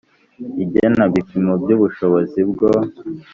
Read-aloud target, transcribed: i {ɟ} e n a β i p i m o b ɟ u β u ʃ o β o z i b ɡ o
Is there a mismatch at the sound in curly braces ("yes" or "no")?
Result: no